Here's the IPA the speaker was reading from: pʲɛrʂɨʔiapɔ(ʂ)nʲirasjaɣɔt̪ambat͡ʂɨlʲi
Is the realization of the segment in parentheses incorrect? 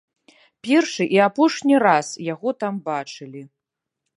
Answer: no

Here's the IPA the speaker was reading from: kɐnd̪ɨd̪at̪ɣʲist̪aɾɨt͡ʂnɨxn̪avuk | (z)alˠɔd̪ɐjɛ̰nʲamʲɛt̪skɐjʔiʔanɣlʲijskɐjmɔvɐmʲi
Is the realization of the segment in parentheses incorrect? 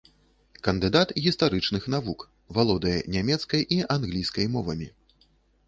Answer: yes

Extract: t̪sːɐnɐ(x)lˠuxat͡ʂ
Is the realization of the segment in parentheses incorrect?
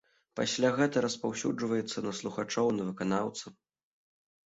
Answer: yes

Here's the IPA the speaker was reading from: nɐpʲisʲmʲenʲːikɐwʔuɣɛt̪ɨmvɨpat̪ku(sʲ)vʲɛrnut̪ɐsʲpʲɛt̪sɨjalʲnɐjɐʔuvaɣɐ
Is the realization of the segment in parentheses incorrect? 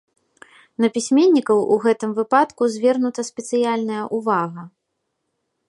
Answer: yes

